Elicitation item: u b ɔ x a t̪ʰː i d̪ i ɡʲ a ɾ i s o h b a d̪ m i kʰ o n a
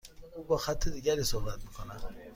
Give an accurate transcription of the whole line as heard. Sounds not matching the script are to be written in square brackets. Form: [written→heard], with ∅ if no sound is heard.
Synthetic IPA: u b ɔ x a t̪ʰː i d̪ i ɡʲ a ɾ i s o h b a [d̪→t̪] m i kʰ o n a

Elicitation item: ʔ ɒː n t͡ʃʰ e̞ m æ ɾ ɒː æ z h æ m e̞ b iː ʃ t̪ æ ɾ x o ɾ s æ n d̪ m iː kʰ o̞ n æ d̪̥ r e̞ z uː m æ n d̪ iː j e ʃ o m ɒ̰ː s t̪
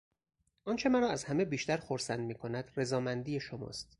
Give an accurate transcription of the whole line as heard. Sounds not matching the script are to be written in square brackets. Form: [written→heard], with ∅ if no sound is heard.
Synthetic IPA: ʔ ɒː n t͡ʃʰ e̞ m æ ɾ ɒː æ z h æ m e̞ b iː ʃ t̪ æ ɾ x o ɾ s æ n d̪ m iː kʰ o̞ n æ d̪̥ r e̞ z [uː→ɒː] m æ n d̪ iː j e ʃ o m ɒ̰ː s t̪

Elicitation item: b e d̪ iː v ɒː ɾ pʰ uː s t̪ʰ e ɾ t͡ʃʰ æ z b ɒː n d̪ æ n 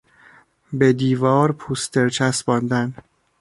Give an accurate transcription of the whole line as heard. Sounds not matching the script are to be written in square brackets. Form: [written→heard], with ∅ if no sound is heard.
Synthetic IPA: b e d̪ iː v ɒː ɾ pʰ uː s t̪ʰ e ɾ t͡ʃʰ æ [z→s] b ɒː n d̪ æ n

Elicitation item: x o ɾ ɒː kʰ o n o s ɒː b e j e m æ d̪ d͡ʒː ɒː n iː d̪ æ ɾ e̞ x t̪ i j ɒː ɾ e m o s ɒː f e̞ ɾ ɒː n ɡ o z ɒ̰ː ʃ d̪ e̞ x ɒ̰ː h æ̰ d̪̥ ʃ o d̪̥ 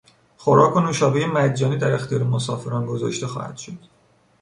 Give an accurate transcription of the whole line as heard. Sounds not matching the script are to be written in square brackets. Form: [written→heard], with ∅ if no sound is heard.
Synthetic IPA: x o ɾ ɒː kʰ o n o [s→ʃ] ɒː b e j e m æ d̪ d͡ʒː ɒː n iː d̪ æ ɾ e̞ x t̪ i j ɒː ɾ e m o s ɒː f e̞ ɾ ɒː n ɡ o z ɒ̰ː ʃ [d̪→t̪] e̞ x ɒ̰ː h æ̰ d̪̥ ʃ o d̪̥

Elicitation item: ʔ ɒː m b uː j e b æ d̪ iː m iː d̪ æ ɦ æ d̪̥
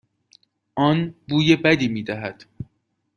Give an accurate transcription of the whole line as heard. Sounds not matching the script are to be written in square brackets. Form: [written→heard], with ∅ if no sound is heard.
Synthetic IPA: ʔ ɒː [m→n] b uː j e b æ d̪ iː m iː d̪ æ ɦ æ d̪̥

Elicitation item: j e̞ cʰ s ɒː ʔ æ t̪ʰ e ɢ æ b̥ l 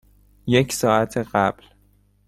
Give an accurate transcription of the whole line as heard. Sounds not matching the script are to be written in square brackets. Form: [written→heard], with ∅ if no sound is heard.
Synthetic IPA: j e̞ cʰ s ɒː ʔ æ t̪ʰ e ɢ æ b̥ l

